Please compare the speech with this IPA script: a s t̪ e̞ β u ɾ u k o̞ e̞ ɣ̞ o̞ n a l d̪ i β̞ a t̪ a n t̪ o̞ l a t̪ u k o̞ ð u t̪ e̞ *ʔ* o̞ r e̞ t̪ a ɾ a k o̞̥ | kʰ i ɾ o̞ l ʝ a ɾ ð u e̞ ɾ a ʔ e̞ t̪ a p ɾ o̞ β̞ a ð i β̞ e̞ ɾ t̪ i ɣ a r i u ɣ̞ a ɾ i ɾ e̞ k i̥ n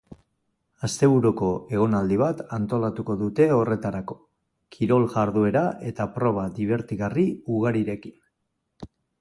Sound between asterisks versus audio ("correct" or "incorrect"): incorrect